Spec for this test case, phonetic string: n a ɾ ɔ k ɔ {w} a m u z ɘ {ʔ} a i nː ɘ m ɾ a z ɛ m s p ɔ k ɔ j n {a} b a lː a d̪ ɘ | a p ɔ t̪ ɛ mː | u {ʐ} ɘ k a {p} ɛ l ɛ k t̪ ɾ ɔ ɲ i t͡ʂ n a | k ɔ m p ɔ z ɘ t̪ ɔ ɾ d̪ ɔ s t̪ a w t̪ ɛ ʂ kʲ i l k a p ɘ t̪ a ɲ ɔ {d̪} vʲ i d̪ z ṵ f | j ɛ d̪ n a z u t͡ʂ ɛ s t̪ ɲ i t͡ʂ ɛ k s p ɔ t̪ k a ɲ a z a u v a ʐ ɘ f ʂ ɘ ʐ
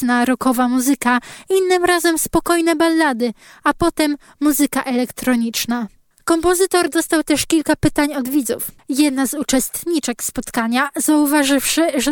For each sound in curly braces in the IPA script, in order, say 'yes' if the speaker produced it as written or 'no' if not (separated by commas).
no, no, no, no, no, yes